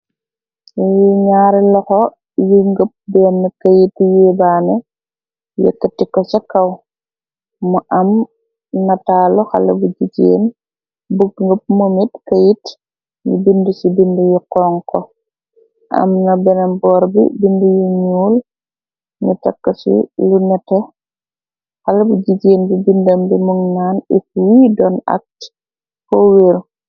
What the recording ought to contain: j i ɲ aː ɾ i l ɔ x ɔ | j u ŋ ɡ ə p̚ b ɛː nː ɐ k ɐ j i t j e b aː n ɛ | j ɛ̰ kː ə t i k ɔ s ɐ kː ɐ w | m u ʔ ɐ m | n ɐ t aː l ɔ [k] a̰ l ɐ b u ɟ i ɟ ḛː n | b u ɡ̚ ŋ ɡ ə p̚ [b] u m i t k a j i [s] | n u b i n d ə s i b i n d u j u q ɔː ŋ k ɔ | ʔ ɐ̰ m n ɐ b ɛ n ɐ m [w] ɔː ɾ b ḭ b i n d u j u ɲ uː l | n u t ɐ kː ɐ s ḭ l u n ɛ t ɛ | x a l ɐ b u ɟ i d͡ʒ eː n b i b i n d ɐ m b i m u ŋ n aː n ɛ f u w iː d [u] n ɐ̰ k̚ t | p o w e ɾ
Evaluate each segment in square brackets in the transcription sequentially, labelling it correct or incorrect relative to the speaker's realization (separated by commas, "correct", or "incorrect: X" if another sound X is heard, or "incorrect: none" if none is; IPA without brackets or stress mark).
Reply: incorrect: x, incorrect: m, incorrect: t, incorrect: b, incorrect: ɔ